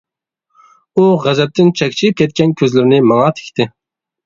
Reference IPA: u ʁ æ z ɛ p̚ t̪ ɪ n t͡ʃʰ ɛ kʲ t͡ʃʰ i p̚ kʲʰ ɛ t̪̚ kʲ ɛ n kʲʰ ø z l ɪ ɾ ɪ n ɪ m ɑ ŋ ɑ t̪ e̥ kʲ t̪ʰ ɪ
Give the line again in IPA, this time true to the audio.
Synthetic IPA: u ʁ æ z ɛ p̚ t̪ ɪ n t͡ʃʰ ɛ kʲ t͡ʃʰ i p̚ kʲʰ ɛ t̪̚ kʲ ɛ n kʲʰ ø z l ɪ ɾ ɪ n ɪ m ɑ ŋ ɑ t̪ʰ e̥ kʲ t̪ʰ ɪ